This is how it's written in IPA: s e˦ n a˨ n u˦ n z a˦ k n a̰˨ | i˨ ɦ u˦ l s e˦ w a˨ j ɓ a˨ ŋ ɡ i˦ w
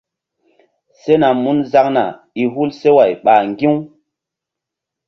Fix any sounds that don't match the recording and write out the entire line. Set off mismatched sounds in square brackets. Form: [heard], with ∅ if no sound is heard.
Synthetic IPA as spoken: s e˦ n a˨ [m] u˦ n z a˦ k n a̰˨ | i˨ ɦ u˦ l s e˦ w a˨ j ɓ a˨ ŋ ɡ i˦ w

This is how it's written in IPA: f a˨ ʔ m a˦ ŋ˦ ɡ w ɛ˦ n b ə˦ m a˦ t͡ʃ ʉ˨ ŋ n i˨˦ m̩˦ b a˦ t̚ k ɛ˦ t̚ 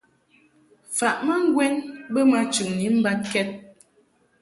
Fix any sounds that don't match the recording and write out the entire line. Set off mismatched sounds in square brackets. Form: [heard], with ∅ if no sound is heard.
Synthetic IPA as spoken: f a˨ ʔ m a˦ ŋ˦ ɡ w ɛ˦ n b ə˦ m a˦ t͡ʃ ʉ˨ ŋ n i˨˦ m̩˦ b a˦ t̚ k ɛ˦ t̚

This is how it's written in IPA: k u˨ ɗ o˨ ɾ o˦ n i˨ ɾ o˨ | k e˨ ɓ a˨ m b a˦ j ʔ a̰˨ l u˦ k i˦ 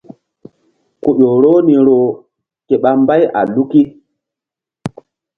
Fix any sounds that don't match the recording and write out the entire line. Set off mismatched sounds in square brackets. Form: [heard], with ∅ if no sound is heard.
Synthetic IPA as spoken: k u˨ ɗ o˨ ɾ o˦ n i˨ ɾ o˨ | k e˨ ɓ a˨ m b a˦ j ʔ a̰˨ l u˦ k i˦

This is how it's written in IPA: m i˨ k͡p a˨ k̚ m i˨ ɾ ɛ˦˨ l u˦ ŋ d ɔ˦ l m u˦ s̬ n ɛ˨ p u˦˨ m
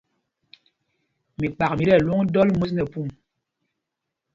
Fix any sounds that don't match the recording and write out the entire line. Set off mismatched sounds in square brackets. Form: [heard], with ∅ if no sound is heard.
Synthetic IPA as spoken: m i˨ k͡p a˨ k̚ m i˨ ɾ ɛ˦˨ l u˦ ŋ d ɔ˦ l m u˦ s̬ n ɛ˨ p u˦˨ m

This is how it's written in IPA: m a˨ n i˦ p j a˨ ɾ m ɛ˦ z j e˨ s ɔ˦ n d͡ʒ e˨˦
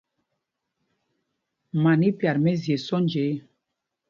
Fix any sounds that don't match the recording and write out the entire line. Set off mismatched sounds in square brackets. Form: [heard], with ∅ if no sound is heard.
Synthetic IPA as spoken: m a˨ n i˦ p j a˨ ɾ m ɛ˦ z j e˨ s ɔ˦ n d͡ʒ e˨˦

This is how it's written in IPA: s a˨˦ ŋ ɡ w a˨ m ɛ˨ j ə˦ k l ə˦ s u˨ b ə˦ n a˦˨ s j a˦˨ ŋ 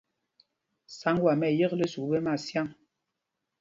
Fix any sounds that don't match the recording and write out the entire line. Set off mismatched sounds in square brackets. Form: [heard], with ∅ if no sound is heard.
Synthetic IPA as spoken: s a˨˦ ŋ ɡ w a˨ m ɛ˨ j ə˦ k l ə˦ s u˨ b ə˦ [m] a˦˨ s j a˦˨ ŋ

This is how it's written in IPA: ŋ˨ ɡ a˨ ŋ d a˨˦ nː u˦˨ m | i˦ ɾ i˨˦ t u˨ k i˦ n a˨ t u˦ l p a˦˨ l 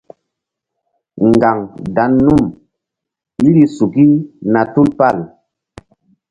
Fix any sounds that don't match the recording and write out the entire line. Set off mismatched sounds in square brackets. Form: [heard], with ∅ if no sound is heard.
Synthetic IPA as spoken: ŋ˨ ɡ a˨ ŋ d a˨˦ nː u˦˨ m | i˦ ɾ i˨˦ [s] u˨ k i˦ n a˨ t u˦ l p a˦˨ l

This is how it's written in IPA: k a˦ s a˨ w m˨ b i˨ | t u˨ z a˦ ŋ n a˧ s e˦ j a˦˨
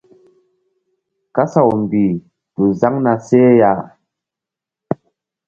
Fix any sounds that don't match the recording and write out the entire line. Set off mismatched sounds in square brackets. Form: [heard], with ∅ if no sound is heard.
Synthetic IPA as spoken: k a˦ s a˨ w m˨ b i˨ | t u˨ z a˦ ŋ n a˧ s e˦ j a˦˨

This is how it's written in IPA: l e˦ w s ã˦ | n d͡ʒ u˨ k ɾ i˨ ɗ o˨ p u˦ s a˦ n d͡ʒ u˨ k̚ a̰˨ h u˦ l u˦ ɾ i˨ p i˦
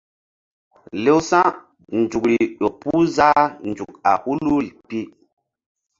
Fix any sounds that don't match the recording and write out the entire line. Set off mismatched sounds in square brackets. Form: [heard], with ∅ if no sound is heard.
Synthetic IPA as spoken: l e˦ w s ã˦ | n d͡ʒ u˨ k ɾ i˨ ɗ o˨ p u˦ [z] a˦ n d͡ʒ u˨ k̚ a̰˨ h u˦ l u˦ ɾ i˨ p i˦

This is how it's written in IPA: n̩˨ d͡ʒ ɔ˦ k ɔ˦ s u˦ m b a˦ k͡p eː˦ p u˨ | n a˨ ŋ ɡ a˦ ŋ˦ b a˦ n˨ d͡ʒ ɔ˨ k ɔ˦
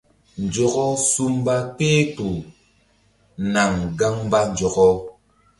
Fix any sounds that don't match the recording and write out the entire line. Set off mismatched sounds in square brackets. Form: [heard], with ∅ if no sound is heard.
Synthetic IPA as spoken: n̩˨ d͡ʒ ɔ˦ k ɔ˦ s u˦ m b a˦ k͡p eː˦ [t] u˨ | n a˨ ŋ ɡ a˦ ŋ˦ b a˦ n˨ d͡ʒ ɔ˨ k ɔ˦

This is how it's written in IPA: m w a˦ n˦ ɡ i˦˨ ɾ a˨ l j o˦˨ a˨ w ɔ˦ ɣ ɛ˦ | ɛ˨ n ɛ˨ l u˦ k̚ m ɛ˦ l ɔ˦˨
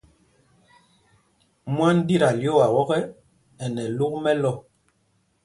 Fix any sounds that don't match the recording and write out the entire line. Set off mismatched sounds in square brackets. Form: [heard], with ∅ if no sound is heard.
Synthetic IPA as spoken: m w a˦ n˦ [d] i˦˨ ɾ a˨ l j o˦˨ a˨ w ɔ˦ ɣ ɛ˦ | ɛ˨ n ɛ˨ l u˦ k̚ m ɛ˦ l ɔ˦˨

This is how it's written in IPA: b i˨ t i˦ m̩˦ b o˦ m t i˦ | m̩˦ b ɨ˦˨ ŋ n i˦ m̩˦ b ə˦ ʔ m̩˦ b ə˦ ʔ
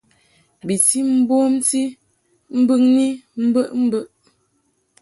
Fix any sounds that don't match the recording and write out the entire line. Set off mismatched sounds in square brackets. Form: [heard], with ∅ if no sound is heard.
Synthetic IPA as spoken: b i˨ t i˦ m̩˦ b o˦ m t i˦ | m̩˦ b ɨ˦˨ ŋ n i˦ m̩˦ b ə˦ ʔ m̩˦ b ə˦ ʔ

